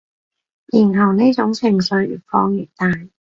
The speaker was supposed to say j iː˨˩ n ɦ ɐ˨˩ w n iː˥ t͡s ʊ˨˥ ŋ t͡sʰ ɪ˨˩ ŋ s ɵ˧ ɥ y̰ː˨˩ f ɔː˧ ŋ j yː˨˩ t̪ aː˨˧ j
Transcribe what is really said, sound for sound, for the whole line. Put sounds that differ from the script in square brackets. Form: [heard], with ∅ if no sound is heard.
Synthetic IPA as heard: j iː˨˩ n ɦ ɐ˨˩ w n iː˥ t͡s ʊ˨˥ ŋ t͡sʰ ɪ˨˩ ŋ s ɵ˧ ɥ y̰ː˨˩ f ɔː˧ ŋ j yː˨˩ t̪ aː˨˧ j